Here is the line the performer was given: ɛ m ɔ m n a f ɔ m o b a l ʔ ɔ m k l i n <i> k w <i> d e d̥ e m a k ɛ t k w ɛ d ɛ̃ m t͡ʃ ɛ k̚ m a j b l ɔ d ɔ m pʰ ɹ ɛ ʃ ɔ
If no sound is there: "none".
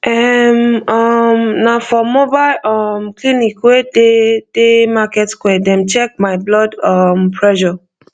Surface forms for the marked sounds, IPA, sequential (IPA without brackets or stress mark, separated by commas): i, e